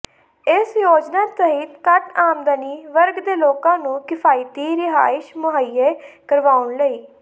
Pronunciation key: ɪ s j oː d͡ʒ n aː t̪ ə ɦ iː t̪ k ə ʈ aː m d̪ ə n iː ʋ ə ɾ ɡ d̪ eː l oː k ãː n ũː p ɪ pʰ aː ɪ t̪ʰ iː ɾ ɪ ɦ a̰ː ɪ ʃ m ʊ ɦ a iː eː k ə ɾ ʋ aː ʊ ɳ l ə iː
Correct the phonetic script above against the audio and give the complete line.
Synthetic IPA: ɪ s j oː d͡ʒ n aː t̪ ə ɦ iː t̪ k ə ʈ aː m d̪ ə n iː ʋ ə ɾ ɡ d̪ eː l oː k ãː n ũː k ɪ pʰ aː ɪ t̪ iː ɾ ɪ ɦ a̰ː ɪ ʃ m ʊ ɦ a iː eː k ə ɾ ʋ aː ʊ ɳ l ə iː